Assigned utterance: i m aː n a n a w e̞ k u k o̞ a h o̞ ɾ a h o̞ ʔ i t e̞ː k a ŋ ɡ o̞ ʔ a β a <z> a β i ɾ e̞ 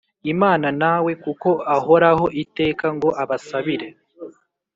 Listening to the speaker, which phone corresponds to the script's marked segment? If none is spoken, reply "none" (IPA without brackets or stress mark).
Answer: s